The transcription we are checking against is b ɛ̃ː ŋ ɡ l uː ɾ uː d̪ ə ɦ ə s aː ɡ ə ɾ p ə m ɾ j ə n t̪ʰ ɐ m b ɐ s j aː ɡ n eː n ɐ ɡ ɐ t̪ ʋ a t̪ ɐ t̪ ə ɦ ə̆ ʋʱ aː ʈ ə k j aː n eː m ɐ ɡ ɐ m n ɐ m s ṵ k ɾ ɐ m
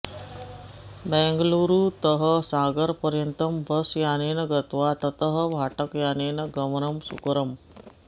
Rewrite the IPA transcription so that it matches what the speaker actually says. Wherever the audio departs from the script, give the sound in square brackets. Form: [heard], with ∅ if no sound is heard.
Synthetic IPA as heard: b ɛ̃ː ŋ ɡ l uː ɾ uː [t̪] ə ɦ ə s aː ɡ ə ɾ p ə [∅] ɾ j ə n [t̪] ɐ m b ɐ s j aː [∅] n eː n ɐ ɡ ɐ t̪ ʋ a t̪ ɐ t̪ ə ɦ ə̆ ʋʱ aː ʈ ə k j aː n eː [n] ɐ ɡ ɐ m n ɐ m s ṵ k ɾ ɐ m